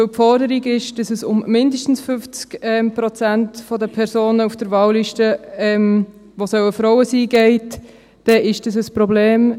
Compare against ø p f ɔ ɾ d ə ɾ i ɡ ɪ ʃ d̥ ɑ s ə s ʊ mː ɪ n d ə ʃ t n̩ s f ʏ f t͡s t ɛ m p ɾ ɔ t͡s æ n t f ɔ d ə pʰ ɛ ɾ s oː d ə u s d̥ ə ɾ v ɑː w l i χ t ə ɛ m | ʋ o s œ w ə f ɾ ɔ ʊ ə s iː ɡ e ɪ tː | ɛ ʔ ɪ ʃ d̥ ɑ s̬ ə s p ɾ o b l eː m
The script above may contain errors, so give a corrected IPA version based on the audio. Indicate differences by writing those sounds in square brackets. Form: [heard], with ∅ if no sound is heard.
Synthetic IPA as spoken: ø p f ɔ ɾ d ə ɾ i ɡ ɪ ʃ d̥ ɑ s ə s ʊ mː ɪ n d ə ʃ t n̩ s f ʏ f t͡s [k] ɛ m p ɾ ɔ t͡s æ n t f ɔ d ə pʰ ɛ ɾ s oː [n] ə u [f] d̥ ə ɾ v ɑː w l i [ʃ] t ə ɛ m | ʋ o s œ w ə f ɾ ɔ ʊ ə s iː ɡ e ɪ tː | ɛ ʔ ɪ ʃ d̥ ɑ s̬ ə s p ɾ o b l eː m